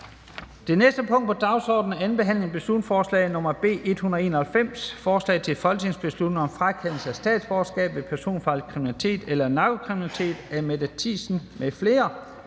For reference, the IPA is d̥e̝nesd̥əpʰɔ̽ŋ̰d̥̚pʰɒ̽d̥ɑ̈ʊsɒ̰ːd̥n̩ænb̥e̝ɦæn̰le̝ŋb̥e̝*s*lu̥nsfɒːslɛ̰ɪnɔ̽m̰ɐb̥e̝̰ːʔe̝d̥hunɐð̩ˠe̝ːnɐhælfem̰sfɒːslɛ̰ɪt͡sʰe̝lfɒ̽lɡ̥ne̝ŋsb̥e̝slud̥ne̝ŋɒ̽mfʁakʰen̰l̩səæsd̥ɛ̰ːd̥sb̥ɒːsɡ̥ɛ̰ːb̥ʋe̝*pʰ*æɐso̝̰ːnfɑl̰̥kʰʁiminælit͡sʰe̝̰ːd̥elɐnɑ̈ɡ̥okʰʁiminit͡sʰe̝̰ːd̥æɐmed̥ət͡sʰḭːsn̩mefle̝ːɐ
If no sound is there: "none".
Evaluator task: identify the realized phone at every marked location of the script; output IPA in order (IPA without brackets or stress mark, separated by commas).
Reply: s, pʰ